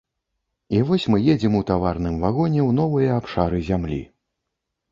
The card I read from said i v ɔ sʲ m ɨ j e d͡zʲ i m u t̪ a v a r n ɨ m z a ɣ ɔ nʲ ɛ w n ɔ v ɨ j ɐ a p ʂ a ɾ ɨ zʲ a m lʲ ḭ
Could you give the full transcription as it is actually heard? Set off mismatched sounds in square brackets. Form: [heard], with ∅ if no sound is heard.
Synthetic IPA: i v ɔ sʲ m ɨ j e d͡zʲ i m u t̪ a v a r n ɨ m [v] a ɣ ɔ nʲ ɛ w n ɔ v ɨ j ɐ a p ʂ a ɾ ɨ zʲ a m lʲ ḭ